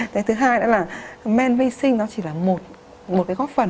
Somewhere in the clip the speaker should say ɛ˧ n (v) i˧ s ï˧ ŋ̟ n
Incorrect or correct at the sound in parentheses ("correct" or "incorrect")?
correct